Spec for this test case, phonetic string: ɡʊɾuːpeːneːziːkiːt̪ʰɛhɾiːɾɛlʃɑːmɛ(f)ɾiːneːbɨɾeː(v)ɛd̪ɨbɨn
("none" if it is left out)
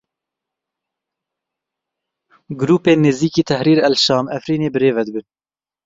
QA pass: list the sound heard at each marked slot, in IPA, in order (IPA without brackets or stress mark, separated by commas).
f, v